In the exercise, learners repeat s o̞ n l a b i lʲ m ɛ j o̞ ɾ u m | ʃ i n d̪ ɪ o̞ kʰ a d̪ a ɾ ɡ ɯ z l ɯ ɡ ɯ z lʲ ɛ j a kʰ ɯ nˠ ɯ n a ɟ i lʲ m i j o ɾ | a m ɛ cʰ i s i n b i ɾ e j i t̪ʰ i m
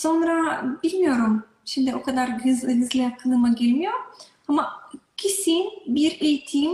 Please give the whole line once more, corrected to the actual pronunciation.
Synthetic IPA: s o̞ n ɾ a b i lʲ m i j o̞ ɾ u m | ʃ i m d̪ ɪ o̞ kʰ a d̪ a ɾ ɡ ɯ z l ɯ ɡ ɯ z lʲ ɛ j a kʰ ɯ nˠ ɯ m a ɟ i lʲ m i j o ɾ | a m a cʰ i s i n b i ɾ e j i t̪ʰ i m